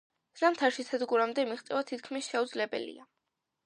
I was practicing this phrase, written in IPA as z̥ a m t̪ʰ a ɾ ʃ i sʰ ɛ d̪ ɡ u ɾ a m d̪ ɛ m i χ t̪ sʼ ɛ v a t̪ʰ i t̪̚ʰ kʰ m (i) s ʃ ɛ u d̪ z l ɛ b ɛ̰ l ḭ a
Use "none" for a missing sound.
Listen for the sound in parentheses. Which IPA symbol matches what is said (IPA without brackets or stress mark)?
i